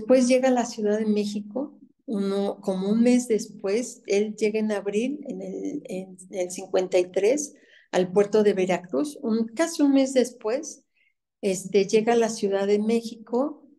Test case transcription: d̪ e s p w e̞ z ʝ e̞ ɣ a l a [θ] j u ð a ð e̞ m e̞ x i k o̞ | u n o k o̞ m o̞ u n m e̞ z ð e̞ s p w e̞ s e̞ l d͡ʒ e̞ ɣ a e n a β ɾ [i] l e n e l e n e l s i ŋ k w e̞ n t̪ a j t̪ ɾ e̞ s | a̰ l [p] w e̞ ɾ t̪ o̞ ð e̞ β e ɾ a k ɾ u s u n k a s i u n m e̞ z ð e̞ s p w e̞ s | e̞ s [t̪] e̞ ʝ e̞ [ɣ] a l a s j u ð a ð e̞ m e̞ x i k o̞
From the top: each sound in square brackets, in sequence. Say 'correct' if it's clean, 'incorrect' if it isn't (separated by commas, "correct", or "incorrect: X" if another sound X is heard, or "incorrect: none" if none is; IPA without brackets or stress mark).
incorrect: s, correct, correct, correct, correct